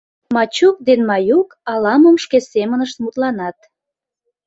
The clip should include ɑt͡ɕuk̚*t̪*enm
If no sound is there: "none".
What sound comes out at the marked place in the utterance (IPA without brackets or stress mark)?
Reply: d̪